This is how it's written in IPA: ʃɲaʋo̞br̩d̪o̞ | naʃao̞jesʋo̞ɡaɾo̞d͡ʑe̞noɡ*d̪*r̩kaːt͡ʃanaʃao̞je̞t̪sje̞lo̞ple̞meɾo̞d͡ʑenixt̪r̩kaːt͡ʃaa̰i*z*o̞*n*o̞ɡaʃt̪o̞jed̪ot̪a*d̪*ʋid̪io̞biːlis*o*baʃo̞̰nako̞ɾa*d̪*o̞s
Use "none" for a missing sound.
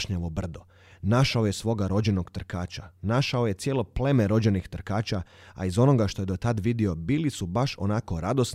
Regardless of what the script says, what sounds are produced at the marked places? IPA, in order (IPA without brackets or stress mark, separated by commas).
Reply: t̪, z, n, d̪, u, d̪